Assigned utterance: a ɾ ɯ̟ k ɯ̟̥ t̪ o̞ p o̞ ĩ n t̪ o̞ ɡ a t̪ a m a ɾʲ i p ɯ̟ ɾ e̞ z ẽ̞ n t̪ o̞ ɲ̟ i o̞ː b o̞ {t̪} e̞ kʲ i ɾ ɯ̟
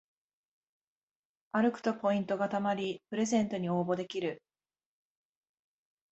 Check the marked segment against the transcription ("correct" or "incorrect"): incorrect